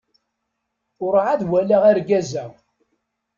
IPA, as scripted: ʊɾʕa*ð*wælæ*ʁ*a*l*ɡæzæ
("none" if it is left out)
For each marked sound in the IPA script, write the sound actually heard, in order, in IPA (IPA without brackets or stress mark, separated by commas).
ð, ʁ, ɾ